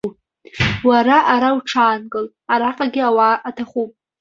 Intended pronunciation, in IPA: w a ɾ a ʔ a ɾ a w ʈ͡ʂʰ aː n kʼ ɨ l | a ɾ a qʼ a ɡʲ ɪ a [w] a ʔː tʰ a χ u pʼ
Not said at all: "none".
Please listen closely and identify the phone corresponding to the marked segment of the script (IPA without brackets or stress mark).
w